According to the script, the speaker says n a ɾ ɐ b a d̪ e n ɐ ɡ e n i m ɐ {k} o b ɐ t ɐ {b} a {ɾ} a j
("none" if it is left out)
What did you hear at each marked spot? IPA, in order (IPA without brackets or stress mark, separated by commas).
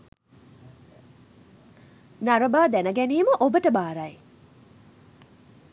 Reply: ʔ, b, ɾ